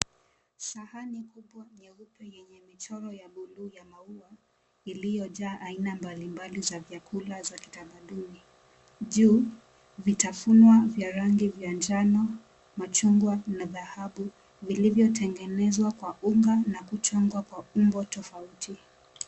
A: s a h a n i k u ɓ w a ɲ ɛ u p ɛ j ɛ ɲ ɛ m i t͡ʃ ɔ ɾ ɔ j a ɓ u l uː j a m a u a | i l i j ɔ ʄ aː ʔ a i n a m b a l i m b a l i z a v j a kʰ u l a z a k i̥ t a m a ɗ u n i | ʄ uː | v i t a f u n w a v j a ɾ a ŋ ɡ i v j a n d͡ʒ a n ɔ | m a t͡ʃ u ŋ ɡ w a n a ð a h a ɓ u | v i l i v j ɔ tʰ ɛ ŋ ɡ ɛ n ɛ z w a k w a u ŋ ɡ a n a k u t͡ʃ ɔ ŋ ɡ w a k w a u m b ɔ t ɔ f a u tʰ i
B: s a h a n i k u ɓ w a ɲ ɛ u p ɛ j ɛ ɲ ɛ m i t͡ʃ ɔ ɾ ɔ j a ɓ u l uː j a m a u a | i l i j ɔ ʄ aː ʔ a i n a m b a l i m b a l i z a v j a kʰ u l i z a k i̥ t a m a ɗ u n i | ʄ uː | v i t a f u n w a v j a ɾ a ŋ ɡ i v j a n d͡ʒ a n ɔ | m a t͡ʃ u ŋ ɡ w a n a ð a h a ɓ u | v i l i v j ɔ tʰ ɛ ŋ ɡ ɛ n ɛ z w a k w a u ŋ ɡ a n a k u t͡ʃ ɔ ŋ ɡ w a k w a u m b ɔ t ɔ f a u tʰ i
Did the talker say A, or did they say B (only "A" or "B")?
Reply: A